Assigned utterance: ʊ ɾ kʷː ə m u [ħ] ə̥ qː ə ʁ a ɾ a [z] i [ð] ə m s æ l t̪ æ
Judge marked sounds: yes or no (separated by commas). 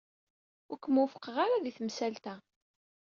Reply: no, no, no